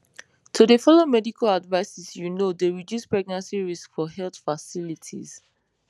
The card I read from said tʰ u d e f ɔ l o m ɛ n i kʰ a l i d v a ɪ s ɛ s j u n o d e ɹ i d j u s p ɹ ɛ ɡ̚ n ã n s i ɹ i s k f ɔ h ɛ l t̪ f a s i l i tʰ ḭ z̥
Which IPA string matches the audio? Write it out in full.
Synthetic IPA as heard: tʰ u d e f ɔ l o m ɛ d i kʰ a l a d v a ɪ s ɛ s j u n o d e ɹ i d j u s p ɹ ɛ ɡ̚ n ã n s i ɹ i s k f ɔ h ɛ l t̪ f a s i l i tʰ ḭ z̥